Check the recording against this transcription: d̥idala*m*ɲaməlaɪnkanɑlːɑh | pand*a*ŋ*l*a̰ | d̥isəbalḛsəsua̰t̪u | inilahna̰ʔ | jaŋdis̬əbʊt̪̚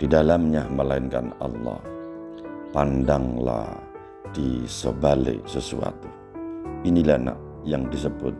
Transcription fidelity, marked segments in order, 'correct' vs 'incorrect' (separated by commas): correct, correct, correct